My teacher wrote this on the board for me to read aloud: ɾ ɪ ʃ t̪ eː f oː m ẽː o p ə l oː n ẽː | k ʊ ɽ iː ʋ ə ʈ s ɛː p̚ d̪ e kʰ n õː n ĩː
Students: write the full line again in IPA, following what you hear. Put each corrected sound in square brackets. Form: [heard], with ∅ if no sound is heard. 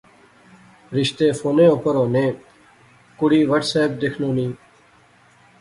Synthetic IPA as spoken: ɾ ɪ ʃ t̪ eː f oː [n] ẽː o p ə [ɾ] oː n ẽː | k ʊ ɽ iː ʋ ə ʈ s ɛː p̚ d̪ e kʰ n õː n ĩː